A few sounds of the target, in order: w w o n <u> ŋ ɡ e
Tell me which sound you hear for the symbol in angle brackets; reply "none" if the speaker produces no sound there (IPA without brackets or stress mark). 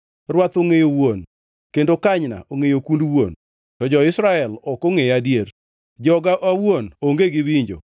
o